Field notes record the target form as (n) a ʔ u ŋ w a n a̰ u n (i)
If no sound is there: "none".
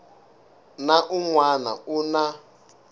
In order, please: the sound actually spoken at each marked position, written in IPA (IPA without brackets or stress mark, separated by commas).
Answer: n, a